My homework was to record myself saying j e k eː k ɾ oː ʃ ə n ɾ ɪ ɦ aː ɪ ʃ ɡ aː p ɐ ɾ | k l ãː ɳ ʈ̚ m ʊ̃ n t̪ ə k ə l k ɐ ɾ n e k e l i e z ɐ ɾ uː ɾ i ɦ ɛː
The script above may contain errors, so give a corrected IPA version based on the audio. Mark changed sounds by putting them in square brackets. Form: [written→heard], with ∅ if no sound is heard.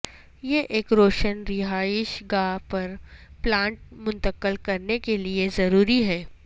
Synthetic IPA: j e [k→ʔ] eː k ɾ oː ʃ ə n ɾ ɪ ɦ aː ɪ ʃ ɡ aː p ɐ ɾ | [k→p] l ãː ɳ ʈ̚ m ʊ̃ n t̪ ə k ə l k ɐ ɾ n e k e l i e z ɐ ɾ uː ɾ i ɦ ɛː